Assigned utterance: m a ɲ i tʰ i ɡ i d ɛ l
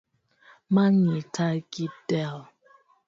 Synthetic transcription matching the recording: m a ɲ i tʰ a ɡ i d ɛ l